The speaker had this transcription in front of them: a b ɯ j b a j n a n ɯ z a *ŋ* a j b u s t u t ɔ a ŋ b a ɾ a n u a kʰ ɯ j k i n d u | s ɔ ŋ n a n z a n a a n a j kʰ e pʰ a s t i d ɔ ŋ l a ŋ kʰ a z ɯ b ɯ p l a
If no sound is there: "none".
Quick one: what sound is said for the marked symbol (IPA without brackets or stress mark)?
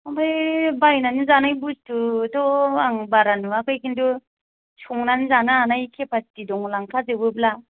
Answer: n